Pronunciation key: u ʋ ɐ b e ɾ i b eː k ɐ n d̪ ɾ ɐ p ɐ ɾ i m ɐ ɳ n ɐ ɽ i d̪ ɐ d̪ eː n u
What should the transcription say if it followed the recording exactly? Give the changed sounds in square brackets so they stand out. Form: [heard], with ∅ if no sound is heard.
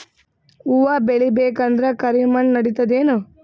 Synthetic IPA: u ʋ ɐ b e [ɭ] i b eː k ɐ n d̪ ɾ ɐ [k] ɐ ɾ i m ɐ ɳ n ɐ ɽ i [t̪] ɐ d̪ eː n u